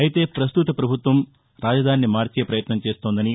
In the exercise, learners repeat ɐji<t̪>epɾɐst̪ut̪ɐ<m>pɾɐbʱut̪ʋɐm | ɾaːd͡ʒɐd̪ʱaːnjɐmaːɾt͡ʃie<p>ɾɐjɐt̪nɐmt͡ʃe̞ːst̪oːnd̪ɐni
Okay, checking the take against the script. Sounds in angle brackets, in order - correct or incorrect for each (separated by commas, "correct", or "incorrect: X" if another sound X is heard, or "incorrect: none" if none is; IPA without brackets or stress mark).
correct, incorrect: none, correct